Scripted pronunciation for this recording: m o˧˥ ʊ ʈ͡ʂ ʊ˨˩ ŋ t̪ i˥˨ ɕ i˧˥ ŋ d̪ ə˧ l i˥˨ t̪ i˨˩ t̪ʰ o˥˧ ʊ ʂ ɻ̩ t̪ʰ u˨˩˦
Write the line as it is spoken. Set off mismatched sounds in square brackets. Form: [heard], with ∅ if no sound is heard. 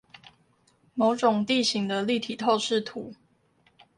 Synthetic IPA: m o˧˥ ʊ ʈ͡ʂ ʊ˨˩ ŋ t̪ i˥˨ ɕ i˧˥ ŋ d̪ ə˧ l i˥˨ [t̪ʰ] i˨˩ t̪ʰ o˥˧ ʊ ʂ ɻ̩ t̪ʰ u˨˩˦